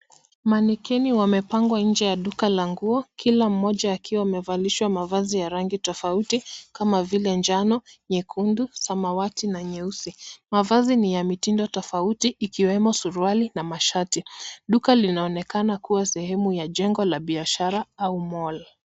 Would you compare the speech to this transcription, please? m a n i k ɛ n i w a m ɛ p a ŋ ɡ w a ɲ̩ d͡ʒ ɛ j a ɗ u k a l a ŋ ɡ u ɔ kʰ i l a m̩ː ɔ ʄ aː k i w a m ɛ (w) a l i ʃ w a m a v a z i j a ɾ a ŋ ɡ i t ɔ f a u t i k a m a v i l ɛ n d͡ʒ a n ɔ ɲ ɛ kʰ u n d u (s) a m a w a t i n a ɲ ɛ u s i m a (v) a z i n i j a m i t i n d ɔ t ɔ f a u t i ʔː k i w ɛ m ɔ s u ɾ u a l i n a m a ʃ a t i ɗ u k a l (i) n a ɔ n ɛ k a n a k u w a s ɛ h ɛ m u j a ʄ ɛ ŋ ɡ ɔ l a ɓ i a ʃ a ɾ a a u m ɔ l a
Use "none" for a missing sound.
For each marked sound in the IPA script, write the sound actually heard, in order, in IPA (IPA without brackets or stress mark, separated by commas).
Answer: v, s, v, i